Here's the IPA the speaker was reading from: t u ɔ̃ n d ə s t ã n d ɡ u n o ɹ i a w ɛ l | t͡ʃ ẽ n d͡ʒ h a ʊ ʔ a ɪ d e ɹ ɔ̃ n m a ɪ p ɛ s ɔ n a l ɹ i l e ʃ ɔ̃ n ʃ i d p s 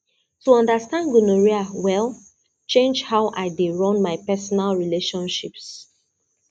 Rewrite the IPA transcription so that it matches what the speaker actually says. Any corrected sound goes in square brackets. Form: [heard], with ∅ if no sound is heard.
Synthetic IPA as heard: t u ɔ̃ n d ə s t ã n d ɡ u n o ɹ i a w ɛ l | t͡ʃ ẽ n d͡ʒ h a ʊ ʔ a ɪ d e ɹ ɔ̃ n m a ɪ p ɛ s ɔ n a l ɹ i l e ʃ ɔ̃ n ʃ i [∅] p s